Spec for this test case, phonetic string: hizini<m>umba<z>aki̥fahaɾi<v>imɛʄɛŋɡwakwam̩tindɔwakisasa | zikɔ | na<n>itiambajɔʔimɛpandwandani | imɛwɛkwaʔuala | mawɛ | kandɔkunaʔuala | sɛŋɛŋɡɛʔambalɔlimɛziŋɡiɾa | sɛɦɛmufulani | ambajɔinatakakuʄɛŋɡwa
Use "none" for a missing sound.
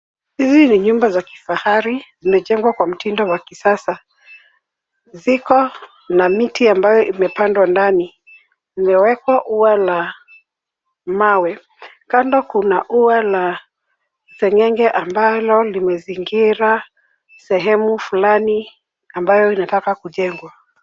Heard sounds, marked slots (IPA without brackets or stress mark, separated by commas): ɲ, z, z, m